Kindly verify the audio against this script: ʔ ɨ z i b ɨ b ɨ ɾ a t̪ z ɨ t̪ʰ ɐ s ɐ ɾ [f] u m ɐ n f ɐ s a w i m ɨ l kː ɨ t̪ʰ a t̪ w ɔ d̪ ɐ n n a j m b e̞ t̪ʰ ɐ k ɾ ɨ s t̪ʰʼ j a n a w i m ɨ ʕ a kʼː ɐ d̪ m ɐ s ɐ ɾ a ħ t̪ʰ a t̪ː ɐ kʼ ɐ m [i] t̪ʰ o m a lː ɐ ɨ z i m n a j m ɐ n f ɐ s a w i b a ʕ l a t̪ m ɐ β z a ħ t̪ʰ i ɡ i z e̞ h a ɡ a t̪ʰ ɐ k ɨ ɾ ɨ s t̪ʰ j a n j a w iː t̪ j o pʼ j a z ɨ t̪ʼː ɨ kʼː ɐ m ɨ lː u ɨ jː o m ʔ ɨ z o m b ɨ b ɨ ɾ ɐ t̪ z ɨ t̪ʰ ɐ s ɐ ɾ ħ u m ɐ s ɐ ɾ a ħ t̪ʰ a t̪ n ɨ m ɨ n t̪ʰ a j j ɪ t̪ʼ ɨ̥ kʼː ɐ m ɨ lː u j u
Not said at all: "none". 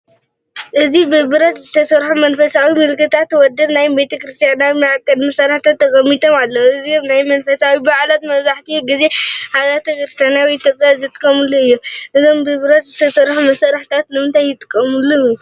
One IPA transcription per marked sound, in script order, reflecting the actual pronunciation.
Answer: ħ, i

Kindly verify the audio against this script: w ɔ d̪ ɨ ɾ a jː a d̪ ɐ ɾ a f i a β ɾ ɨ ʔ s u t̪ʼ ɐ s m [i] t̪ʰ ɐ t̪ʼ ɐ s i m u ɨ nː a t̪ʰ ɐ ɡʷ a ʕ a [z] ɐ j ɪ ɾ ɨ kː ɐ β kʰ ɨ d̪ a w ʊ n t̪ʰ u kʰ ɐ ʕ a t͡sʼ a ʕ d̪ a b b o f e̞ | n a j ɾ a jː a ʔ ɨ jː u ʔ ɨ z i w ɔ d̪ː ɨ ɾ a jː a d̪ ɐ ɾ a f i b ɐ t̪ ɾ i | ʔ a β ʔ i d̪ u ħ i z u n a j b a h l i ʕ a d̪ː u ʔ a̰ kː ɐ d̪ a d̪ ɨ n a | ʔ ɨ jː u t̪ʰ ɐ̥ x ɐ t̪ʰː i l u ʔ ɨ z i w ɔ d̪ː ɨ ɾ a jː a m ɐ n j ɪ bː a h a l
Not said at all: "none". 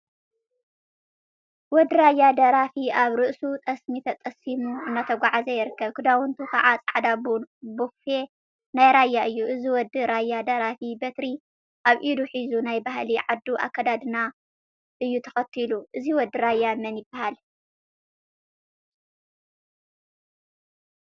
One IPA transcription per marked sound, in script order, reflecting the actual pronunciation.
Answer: i, z

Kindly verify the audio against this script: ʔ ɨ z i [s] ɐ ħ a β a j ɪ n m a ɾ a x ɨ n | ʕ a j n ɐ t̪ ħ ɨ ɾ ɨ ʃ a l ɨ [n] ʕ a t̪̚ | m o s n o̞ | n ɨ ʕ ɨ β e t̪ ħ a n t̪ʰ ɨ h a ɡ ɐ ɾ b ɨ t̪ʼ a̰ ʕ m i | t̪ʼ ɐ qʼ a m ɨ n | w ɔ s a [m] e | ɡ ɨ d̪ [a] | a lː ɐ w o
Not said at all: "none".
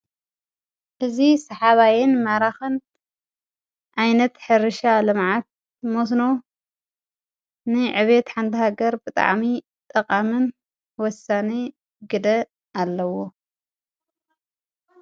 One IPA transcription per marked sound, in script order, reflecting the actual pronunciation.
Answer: s, m, n, ɐ

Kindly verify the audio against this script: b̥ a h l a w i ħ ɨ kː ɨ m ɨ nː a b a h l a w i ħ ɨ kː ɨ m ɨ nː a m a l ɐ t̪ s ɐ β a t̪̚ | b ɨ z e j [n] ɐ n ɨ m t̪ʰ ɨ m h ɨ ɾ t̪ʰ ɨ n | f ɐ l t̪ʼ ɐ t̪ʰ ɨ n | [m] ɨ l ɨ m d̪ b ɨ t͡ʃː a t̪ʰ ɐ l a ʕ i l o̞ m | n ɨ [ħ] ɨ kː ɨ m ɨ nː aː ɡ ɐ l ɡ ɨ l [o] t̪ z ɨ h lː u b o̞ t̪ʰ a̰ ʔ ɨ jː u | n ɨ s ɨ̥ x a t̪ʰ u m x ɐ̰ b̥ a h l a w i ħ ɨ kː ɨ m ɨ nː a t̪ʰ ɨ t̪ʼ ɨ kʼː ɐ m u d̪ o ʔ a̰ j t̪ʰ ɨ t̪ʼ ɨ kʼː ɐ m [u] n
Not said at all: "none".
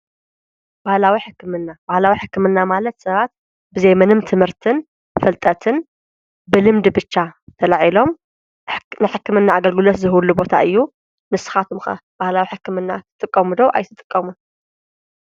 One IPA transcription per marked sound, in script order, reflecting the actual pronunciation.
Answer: m, b, ħ, o, u

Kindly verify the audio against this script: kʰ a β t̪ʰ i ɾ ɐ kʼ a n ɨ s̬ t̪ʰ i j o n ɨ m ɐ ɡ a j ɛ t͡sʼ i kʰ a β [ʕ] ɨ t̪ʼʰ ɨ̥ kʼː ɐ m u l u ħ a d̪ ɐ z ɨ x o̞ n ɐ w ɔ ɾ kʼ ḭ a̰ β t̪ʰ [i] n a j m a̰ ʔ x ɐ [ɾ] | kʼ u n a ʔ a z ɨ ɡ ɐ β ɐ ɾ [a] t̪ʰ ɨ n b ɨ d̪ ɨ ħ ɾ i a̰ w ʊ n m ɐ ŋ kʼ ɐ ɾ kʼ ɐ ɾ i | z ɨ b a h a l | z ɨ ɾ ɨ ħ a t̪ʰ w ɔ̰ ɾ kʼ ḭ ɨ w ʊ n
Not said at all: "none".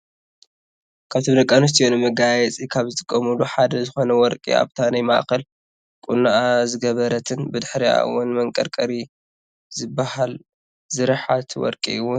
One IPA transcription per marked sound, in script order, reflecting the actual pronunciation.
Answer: z, a, l, ɐ

